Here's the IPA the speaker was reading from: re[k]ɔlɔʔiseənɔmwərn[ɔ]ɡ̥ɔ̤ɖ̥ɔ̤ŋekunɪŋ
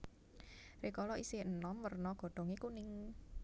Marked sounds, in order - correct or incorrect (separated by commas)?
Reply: correct, correct